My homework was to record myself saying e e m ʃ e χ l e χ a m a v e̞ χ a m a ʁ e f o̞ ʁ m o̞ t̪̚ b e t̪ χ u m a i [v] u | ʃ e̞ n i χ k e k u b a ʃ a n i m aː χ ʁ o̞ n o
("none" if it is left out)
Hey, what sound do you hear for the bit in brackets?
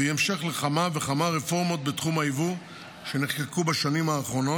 v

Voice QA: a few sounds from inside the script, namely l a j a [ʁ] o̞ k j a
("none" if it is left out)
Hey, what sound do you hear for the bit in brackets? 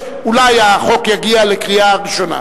χ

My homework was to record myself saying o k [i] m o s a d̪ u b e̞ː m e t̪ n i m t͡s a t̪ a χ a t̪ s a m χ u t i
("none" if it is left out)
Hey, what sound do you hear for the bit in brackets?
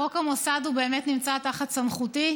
a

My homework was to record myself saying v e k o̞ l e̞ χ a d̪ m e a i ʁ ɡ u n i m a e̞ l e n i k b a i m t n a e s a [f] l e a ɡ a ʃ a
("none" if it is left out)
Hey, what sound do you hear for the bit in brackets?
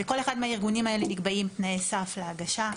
f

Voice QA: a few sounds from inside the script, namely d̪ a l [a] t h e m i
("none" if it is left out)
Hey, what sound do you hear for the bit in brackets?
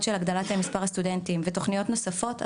a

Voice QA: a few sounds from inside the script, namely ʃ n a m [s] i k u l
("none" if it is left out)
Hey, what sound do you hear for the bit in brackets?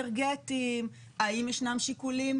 ʃ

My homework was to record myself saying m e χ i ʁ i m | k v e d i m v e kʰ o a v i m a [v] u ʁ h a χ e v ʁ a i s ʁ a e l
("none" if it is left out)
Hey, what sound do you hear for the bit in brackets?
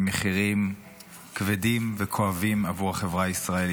v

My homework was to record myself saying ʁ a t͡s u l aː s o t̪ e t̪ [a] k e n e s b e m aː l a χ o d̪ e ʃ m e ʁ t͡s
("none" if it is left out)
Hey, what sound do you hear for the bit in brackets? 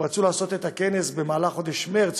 a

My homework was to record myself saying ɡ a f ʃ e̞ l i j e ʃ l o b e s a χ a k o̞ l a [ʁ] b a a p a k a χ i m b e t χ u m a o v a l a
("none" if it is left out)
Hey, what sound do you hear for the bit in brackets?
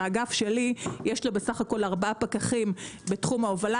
ʁ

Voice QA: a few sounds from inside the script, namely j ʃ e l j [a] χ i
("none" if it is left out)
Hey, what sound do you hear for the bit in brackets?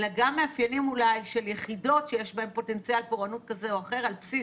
e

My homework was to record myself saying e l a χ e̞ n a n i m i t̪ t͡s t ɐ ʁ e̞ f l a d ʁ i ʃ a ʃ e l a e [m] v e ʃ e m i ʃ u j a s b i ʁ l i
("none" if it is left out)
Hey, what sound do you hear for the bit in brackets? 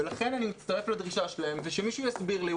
m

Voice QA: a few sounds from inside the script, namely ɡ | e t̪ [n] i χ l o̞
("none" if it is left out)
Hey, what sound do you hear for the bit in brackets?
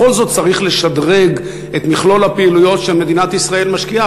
m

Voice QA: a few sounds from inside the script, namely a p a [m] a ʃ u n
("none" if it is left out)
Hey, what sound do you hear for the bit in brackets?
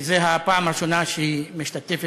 m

